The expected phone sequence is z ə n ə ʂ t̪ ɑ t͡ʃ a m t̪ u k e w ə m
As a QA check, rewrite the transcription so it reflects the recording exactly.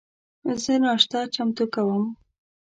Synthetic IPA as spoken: z ə n ɑ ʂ t̪ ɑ t͡ʃ a m t̪ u k a w ə m